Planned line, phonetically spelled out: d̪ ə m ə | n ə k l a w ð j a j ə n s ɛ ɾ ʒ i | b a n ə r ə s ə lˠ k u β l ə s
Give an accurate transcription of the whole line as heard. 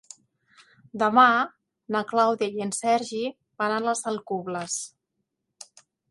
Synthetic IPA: d̪ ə m a | n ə k l a w ð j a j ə n s ɛ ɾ ʒ i | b a n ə l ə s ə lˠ k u β l ə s